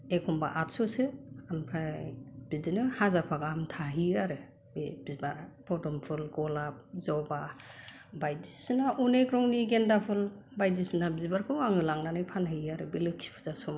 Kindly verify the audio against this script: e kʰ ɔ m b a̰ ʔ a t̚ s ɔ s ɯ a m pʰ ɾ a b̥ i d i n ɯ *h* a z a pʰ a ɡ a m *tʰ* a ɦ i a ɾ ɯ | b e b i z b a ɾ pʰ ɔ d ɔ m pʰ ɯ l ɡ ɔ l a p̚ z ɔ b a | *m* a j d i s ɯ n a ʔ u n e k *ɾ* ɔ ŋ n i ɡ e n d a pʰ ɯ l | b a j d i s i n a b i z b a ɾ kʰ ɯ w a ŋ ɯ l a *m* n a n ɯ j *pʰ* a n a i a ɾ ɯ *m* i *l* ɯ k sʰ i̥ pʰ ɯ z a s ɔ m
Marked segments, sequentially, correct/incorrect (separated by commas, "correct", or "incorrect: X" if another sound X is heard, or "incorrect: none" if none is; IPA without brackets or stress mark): correct, correct, incorrect: b, correct, incorrect: ŋ, correct, incorrect: b, correct